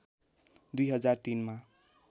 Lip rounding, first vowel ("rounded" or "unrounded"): rounded